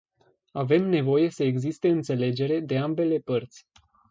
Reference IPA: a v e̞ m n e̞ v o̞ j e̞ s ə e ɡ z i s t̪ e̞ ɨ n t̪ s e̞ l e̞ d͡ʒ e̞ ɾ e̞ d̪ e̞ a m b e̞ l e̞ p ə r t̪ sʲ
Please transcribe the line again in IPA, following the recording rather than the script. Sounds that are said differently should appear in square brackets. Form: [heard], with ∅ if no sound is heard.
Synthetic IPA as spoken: a v e̞ m n e̞ v o̞ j e̞ s ə e ɡ z i s t̪ e̞ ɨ n t̪ s e̞ l e̞ d͡ʒ e̞ ɾ e̞ d̪ e̞ a m b e̞ l e̞ p ə r t̪ sʲ

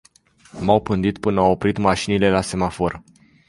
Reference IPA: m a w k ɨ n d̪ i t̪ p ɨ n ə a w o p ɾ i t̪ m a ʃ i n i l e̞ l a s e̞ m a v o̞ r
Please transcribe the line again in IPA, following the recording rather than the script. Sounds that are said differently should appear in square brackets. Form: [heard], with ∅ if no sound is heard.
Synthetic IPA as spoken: m a w [p] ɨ n d̪ i t̪ p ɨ n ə a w o p ɾ i t̪ m a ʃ i n i l e̞ l a s e̞ m a [f] o̞ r

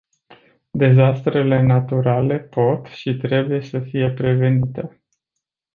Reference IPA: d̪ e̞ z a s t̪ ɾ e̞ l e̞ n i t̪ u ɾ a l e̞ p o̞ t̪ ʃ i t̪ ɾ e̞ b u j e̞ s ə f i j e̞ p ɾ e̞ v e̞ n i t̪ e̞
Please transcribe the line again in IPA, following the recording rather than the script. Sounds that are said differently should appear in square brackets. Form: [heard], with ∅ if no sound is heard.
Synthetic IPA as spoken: d̪ e̞ z a s t̪ ɾ e̞ l e̞ n [a] t̪ u ɾ a l e̞ p o̞ t̪ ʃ i t̪ ɾ e̞ b u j e̞ s ə f i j e̞ p ɾ e̞ v e̞ n i t̪ e̞

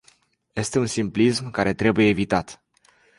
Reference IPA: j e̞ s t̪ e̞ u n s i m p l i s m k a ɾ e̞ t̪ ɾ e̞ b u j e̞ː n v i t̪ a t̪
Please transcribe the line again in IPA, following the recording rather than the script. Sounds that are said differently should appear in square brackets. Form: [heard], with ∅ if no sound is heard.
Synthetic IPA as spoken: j e̞ s t̪ e̞ u n s i m p l i s m k a ɾ e̞ t̪ ɾ e̞ b u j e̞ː [∅] v i t̪ a t̪

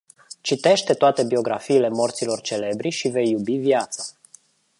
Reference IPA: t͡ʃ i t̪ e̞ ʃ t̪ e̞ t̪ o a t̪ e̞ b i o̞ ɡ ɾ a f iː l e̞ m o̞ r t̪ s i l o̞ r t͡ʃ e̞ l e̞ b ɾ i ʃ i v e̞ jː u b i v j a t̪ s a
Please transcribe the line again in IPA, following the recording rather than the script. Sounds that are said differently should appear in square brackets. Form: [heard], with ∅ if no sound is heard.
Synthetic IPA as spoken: t͡ʃ i t̪ e̞ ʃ t̪ e̞ t̪ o a t̪ e̞ b i o̞ ɡ ɾ a f iː l e̞ m o̞ r t̪ s i l o̞ r t͡ʃ e̞ l e̞ b ɾ i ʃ i v e̞ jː u b i v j a t̪ s a

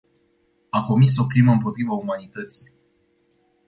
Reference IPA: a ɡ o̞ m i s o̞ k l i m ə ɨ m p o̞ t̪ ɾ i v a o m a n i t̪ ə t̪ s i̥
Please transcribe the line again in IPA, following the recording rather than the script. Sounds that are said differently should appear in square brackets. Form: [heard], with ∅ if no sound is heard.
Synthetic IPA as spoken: a [k] o̞ m i s o̞ k l i m ə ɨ m p o̞ t̪ ɾ i v a [u] m a n i t̪ ə t̪ s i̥

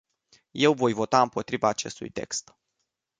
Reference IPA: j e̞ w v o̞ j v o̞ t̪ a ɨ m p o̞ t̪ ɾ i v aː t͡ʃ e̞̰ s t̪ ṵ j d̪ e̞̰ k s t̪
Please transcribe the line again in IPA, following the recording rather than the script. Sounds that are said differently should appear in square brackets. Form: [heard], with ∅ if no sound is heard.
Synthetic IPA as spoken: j e̞ w v o̞ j v o̞ t̪ a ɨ m p o̞ t̪ ɾ i v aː t͡ʃ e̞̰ s t̪ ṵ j [t̪] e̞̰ k s t̪

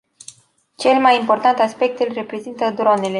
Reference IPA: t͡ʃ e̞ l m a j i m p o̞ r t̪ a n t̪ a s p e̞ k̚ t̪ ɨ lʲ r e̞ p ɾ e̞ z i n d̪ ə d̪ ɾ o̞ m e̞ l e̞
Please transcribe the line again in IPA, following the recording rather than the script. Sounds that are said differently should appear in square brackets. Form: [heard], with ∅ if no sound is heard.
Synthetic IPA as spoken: t͡ʃ e̞ l m a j i m p o̞ r t̪ a n t̪ a s p e̞ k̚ t̪ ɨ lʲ r e̞ p ɾ e̞ z i n [t̪] ə d̪ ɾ o̞ [n] e̞ l e̞

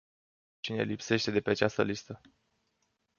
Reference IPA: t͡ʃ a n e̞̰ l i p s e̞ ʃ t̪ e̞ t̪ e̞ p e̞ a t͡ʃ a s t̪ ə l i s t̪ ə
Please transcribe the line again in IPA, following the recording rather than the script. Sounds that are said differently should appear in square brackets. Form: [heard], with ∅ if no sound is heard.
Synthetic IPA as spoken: t͡ʃ [i] n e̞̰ l i p s e̞ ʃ t̪ e̞ [d̪] e̞ p e̞ a t͡ʃ a s t̪ ə l i s t̪ ə

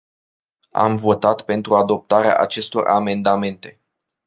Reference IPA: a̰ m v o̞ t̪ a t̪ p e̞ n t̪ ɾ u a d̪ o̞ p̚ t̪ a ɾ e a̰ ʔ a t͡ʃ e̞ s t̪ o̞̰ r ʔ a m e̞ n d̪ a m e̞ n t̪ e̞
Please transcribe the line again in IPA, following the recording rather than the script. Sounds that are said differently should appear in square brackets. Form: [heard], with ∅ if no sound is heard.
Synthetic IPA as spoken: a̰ m v o̞ t̪ a t̪ p e̞ n t̪ ɾ u a d̪ o̞ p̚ t̪ a ɾ e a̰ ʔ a t͡ʃ e̞ s t̪ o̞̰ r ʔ a m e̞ n d̪ a m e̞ n t̪ e̞

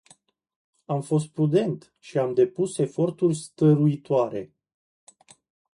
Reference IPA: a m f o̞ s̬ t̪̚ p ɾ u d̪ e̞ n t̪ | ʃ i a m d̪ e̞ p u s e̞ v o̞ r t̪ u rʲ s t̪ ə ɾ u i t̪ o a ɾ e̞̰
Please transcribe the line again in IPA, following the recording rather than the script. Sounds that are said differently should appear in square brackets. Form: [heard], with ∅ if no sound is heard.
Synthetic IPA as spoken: a m f o̞ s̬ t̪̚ p ɾ u d̪ e̞ n t̪ | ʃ i a m d̪ e̞ p u s e̞ [f] o̞ r t̪ u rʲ s t̪ ə ɾ u i t̪ o a ɾ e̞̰

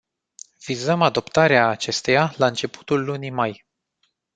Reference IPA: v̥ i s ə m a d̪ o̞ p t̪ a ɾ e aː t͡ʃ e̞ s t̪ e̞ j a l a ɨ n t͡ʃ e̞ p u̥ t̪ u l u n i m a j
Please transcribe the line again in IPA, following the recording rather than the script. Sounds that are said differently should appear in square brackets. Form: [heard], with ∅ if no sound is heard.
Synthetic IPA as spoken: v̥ i [z] ə m a d̪ o̞ p t̪ a ɾ e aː t͡ʃ e̞ s t̪ e̞ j a l a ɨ n t͡ʃ e̞ p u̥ t̪ u [lː] u n i m a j

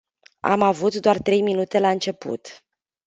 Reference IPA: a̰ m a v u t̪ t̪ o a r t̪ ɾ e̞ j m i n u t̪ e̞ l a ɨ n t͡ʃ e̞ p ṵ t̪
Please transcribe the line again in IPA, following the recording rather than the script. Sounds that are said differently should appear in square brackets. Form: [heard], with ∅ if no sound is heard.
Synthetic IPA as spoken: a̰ m a v u t̪ [d̪] o a r t̪ ɾ e̞ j m i n u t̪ e̞ l a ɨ n t͡ʃ e̞ p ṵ t̪

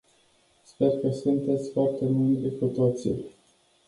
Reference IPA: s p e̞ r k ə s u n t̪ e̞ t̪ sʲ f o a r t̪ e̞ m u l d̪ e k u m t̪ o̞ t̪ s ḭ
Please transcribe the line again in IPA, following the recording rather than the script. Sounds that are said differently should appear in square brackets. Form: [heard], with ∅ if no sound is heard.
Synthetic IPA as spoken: s p e̞ r k ə s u n t̪ e̞ t̪ sʲ f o a r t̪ e̞ m u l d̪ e k u [∅] t̪ o̞ t̪ s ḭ

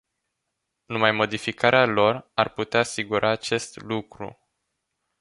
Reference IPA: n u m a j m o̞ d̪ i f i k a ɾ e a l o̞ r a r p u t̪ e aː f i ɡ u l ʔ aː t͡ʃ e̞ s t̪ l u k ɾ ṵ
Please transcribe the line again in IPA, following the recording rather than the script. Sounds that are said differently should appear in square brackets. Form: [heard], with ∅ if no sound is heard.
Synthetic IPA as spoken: n u m a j m o̞ d̪ i f i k a ɾ e a l o̞ r a r p u t̪ e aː [s] i ɡ u [ɾ] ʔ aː t͡ʃ e̞ s t̪ l u k ɾ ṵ

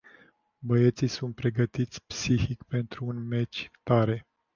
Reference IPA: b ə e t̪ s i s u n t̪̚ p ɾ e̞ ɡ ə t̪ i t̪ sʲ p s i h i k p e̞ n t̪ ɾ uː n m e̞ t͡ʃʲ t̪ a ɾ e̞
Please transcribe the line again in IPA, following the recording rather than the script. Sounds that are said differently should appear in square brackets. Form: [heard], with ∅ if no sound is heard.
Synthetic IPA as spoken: b ə e t̪ s i s u n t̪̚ p ɾ e̞ ɡ ə t̪ i t̪ sʲ p s i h i k p e̞ n t̪ ɾ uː n m e̞ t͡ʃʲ t̪ a ɾ e̞

